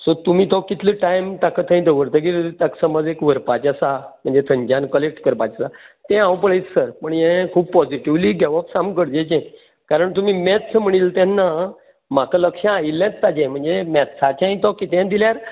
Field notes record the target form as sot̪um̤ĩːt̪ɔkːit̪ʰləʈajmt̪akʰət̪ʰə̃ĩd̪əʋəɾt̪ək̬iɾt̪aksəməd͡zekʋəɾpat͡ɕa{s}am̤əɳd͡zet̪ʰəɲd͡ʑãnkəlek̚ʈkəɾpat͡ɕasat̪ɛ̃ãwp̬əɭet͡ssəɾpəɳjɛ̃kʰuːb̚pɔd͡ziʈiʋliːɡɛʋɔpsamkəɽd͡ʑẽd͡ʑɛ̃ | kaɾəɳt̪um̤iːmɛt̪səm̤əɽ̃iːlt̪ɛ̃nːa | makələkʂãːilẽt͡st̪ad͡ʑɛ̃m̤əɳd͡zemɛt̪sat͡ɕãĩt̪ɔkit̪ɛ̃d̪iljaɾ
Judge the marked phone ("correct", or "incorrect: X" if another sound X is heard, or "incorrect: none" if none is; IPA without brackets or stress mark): correct